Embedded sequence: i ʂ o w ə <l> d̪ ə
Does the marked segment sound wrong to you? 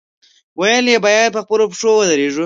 yes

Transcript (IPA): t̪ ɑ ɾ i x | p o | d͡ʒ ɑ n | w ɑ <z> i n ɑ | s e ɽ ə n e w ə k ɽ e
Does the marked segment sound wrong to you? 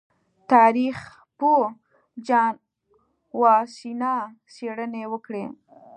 yes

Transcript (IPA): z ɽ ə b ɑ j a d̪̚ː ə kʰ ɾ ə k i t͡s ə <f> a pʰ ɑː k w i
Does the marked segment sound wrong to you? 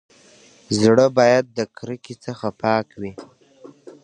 yes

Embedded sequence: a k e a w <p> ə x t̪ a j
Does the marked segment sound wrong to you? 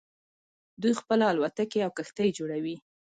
yes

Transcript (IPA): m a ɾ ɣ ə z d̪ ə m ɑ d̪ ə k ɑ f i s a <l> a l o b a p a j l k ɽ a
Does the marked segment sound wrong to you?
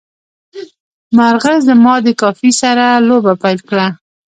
yes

